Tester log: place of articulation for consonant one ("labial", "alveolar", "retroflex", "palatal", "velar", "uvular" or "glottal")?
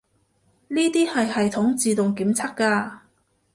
alveolar